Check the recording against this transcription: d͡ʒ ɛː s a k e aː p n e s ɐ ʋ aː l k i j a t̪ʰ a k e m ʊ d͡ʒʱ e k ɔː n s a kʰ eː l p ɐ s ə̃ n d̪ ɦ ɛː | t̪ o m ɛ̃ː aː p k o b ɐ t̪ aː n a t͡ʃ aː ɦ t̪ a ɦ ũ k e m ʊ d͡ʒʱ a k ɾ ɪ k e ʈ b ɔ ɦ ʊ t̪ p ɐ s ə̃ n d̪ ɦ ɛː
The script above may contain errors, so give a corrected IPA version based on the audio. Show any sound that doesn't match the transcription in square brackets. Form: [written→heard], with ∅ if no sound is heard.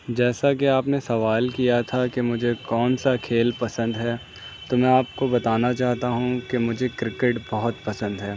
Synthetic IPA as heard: d͡ʒ ɛː s a k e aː p n e s ɐ ʋ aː l k i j a t̪ʰ a k e m ʊ d͡ʒʱ e k ɔː n s a kʰ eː l p ɐ s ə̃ n d̪ ɦ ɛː | t̪ o m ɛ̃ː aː p k o b ɐ t̪ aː n a t͡ʃ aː ɦ t̪ a ɦ ũ k e m ʊ d͡ʒʱ [a→e] k ɾ ɪ k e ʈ b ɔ ɦ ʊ t̪ p ɐ s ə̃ n d̪ ɦ ɛː